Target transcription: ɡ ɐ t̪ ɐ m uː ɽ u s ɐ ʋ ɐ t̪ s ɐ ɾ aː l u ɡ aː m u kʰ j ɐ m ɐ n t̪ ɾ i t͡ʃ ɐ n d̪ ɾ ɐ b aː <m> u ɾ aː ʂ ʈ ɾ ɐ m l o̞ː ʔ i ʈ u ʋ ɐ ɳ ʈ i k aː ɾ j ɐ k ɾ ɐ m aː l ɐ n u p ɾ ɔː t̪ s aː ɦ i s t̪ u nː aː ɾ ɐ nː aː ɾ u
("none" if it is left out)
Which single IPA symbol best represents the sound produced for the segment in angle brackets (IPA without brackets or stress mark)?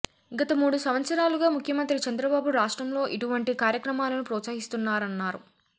b